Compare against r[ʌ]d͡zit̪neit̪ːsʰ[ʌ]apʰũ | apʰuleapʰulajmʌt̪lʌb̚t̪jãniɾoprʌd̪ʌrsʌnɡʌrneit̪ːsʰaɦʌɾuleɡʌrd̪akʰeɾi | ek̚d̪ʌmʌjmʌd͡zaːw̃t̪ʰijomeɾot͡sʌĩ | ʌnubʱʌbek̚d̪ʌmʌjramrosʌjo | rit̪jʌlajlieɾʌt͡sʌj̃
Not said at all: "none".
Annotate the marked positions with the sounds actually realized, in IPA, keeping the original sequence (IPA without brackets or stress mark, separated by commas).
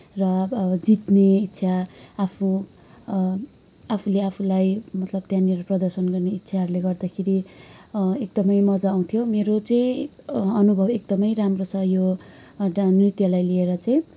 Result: ʌ, a